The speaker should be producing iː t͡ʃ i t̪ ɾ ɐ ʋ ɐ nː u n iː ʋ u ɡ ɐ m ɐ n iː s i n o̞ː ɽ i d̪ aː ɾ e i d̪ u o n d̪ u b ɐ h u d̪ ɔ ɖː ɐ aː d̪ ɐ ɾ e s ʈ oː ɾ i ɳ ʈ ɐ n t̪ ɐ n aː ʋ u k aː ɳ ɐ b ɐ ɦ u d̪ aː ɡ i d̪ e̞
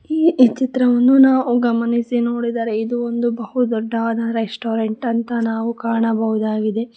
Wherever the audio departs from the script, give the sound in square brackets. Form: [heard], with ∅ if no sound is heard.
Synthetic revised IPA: iː t͡ʃ i t̪ ɾ ɐ ʋ ɐ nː u n [aː] ʋ u ɡ ɐ m ɐ n [i] s i n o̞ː ɽ i d̪ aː ɾ e i d̪ u o n d̪ u b ɐ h u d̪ ɔ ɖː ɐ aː d̪ ɐ ɾ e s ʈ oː ɾ [e] ɳ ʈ ɐ n t̪ ɐ n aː ʋ u k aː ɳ ɐ b ɐ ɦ u d̪ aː ɡ i d̪ e̞